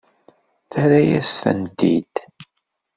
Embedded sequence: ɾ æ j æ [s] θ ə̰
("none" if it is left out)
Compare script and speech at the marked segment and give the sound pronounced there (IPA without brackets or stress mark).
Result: s